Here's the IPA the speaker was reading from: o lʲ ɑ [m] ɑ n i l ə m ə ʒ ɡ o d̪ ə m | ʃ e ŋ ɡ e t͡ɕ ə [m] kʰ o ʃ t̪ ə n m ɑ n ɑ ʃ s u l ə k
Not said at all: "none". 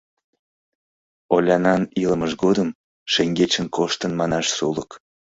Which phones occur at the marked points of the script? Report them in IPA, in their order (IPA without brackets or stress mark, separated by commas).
n, n